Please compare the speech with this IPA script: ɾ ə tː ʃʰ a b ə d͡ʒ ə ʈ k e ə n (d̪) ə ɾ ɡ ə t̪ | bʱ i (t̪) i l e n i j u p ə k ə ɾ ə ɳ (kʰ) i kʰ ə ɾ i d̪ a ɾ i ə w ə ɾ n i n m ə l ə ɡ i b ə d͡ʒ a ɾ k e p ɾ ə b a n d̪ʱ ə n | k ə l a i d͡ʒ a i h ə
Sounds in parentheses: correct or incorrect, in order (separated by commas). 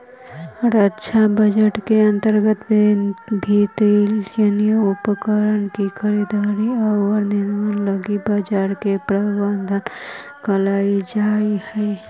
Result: incorrect, correct, incorrect